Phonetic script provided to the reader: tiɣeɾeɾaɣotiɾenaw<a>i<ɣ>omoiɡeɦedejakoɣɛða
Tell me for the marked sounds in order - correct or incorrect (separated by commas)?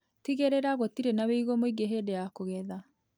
incorrect, correct